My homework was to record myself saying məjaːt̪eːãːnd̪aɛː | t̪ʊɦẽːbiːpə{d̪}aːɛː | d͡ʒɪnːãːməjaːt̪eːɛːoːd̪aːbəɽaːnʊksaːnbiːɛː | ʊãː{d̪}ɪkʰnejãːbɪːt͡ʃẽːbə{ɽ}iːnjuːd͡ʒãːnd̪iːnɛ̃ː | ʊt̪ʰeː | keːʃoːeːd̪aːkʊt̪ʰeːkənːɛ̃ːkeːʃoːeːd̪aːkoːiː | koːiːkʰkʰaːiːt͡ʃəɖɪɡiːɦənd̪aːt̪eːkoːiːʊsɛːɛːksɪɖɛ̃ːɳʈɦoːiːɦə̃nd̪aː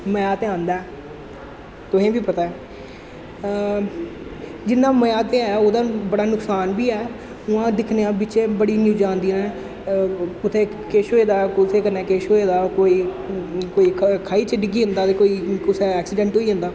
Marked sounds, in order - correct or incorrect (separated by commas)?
incorrect, correct, correct